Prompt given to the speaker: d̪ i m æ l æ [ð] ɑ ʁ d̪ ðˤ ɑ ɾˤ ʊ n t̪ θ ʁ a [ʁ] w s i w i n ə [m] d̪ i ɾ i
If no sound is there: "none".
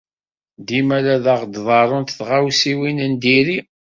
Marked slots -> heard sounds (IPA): ð, none, n

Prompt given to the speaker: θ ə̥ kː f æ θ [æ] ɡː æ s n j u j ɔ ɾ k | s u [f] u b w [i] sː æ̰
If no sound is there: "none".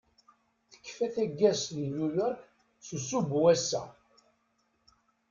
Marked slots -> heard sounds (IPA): æ, s, æ

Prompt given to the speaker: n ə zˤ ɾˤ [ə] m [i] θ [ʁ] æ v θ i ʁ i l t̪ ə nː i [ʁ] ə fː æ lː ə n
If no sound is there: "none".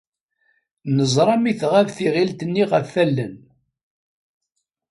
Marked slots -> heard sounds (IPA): ɑ, i, ʁ, ʁ

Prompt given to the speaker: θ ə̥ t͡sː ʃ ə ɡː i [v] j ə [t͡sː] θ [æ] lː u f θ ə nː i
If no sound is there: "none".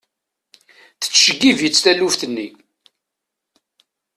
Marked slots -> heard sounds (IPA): v, t͡sː, æ

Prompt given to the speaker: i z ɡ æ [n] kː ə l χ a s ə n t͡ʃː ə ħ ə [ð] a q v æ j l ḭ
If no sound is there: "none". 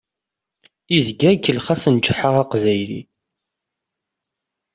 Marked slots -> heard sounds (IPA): none, ʁ

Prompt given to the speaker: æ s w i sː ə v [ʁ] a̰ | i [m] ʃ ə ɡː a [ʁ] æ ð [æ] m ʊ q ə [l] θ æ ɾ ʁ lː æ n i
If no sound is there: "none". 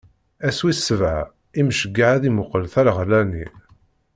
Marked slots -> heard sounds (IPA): ʕ, m, ʕ, i, l

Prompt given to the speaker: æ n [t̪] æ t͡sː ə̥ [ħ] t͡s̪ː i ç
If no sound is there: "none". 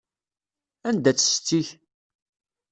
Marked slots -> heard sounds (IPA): d̪, s

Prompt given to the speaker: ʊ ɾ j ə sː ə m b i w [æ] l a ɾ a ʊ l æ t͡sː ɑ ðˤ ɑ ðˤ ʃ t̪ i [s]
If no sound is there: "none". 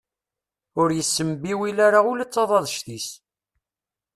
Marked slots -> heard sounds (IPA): i, s

